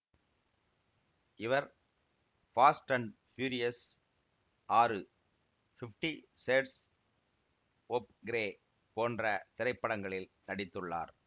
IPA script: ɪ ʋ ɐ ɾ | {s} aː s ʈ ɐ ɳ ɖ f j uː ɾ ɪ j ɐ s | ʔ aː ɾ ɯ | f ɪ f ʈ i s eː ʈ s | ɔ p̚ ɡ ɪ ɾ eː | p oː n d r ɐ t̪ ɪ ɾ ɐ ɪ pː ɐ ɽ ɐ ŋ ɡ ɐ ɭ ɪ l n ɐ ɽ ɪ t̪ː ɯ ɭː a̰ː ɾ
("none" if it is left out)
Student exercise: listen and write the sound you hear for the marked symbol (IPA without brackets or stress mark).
f